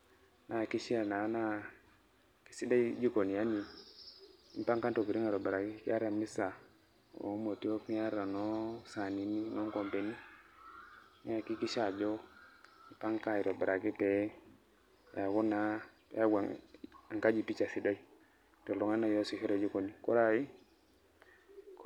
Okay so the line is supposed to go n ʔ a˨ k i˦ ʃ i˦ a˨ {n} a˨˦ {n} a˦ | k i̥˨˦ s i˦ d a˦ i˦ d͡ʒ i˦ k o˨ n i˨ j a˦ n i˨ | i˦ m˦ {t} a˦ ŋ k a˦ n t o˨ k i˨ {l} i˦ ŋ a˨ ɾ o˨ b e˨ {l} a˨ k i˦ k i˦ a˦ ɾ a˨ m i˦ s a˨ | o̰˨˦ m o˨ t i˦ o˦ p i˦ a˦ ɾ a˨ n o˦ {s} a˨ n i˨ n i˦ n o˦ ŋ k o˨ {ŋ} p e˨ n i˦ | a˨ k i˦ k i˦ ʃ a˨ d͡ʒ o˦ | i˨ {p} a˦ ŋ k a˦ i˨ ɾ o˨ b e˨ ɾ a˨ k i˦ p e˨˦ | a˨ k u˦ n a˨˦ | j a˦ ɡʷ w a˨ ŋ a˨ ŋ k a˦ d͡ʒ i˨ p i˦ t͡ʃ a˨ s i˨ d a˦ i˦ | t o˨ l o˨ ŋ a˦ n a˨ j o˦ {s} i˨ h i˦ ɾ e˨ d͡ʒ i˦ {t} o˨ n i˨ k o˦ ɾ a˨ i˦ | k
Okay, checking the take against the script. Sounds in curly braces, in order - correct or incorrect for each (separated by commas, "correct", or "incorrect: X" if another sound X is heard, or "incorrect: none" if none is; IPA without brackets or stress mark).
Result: correct, correct, incorrect: p, incorrect: ɾ, incorrect: ɾ, correct, incorrect: m, correct, correct, incorrect: k